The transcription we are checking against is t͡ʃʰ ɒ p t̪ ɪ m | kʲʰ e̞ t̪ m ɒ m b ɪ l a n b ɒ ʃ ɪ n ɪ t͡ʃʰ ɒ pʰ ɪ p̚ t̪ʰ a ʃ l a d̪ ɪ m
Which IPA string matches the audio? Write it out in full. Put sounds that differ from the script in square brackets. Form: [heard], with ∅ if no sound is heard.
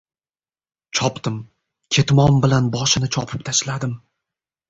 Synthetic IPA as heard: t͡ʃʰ ɒ p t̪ ɪ m | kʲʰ e̞ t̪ m ɒ m b ɪ l a n b ɒ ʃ ɪ n ɪ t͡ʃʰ ɒ pʰ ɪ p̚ t̪ʰ a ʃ l a d̪ ɪ m